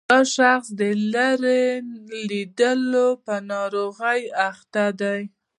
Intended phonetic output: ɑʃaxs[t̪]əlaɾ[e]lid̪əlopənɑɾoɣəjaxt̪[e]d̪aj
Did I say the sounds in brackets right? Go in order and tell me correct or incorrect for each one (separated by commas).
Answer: incorrect, correct, incorrect